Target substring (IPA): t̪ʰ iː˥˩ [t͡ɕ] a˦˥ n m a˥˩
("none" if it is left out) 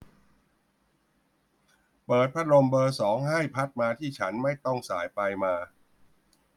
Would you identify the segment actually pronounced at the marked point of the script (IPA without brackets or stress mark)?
t͡ɕʰ